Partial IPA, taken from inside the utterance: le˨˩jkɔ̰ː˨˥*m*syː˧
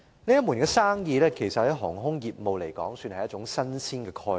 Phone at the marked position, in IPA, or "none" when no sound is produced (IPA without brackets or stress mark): ŋ